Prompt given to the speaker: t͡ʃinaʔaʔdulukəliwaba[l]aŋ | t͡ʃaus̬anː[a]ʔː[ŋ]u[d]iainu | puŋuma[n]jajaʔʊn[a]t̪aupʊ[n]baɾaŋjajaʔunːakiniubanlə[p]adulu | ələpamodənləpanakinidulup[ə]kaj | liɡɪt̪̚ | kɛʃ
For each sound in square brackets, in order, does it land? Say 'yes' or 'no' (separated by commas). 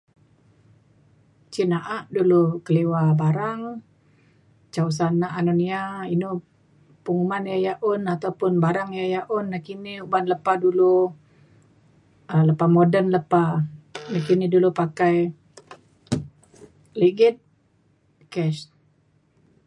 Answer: no, yes, no, no, yes, yes, yes, yes, no